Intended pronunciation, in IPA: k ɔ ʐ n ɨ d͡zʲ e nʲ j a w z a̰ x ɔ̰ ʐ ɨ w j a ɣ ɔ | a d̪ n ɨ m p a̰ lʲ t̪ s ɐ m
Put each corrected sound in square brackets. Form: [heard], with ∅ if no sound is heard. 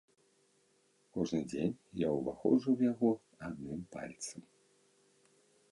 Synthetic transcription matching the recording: k ɔ ʐ n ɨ d͡zʲ e nʲ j a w [v] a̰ x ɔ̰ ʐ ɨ w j a ɣ ɔ | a d̪ n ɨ m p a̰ lʲ t̪ s ɐ m